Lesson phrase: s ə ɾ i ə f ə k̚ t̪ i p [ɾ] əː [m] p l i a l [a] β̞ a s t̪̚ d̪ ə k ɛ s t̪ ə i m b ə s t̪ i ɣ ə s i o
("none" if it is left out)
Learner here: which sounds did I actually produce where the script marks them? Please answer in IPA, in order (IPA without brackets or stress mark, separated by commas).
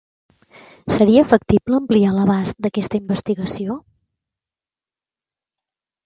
l, m, ə